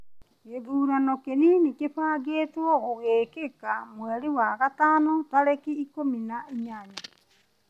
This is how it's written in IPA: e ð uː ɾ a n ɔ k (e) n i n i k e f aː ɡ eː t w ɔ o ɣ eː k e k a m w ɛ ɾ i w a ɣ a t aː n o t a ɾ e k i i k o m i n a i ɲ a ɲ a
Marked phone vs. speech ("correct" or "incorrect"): correct